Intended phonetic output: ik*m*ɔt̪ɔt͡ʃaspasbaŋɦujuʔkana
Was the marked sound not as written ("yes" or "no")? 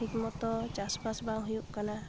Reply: no